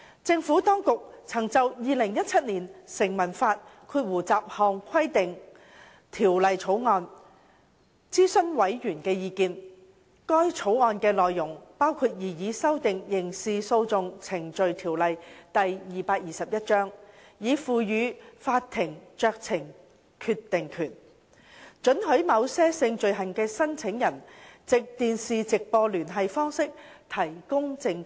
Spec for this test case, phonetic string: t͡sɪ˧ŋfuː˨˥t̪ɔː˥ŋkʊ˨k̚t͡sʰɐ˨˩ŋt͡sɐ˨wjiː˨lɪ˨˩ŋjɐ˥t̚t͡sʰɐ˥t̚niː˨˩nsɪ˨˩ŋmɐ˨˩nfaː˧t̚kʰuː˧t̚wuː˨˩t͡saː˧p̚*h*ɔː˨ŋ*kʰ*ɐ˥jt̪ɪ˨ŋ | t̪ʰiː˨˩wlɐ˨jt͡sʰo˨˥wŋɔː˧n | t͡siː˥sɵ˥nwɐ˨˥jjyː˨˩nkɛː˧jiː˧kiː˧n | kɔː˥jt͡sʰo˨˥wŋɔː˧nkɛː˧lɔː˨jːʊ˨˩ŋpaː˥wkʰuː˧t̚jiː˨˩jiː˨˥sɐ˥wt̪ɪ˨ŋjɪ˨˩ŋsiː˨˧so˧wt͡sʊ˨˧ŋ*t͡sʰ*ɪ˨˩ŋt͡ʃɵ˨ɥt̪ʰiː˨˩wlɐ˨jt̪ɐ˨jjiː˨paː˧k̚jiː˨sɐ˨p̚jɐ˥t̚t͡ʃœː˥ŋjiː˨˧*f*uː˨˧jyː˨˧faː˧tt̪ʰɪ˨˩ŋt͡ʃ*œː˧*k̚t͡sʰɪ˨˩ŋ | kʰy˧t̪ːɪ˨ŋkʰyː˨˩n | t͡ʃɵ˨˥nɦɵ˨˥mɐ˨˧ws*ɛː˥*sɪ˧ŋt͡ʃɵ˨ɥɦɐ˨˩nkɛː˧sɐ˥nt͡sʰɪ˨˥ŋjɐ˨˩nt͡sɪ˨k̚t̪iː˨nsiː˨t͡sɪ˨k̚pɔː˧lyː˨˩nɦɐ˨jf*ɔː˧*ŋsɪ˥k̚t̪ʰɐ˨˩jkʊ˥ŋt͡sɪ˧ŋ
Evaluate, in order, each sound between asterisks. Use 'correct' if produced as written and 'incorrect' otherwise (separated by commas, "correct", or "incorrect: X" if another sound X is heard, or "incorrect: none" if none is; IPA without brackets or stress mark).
correct, correct, correct, correct, correct, correct, incorrect: ɔː˥